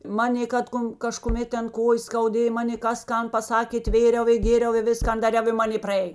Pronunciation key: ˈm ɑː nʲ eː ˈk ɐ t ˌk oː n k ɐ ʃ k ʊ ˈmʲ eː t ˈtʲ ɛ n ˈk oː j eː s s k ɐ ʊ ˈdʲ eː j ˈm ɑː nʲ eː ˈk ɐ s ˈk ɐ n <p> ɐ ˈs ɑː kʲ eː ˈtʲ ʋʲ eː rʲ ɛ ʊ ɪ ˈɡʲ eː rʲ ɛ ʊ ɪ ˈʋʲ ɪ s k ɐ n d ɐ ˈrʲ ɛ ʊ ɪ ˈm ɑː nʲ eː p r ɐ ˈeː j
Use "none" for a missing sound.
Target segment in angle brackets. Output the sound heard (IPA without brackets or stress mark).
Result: p